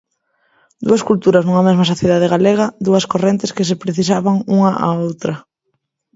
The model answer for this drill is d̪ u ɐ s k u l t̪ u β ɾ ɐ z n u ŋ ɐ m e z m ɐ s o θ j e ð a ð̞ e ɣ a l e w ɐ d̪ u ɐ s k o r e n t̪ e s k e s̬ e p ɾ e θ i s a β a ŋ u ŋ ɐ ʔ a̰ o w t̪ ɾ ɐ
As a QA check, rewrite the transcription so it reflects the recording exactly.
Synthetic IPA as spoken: d̪ u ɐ s k u l t̪ u ɾ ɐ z n u ŋ ɐ m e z m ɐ s o θ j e ð a ð̞ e ɣ a l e ɣ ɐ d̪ u ɐ s k o r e n t̪ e s k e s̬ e p ɾ e θ i s a β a ŋ u ŋ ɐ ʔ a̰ o w t̪ ɾ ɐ